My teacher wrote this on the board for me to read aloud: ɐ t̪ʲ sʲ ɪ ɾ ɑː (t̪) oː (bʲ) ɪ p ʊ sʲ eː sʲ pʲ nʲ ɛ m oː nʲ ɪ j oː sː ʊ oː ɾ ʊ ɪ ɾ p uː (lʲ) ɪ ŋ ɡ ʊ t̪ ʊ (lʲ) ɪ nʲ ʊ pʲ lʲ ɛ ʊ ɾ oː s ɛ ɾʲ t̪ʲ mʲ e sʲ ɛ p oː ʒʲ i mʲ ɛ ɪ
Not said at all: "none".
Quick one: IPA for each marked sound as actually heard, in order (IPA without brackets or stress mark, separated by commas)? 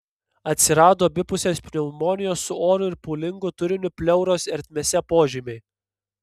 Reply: d̪, bʲ, lʲ, ɾʲ